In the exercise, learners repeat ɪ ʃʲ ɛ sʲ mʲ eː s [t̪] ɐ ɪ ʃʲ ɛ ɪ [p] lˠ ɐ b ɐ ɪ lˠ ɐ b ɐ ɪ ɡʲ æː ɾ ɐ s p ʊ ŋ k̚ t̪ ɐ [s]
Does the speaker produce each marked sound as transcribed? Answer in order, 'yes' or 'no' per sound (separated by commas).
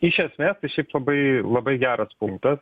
yes, yes, yes